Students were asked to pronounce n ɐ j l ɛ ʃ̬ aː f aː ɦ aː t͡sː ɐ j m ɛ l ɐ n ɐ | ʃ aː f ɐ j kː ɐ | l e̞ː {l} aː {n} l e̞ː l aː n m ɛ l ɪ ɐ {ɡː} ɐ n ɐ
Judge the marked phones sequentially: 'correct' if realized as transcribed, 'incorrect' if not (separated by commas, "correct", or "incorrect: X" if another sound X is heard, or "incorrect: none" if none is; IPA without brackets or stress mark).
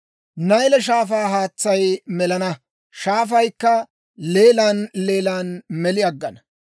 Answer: correct, correct, correct